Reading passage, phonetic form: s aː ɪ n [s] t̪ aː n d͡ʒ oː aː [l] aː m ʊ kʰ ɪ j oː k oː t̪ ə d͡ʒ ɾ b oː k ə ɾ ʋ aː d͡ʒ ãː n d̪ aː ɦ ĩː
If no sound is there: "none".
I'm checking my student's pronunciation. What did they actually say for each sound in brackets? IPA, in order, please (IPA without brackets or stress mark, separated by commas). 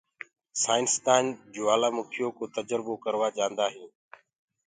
s, l